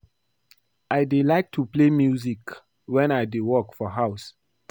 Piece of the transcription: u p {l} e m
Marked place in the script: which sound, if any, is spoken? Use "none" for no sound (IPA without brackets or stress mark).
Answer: l